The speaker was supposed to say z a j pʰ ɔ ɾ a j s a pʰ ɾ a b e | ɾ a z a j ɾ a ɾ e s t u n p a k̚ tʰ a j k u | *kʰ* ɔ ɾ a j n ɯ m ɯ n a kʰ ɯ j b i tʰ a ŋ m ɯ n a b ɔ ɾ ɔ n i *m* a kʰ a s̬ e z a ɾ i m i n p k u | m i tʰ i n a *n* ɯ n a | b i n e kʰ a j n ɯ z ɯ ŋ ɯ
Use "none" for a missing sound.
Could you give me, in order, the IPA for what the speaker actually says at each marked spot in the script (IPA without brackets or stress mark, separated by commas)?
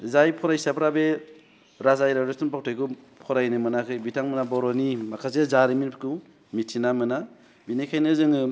pʰ, m, m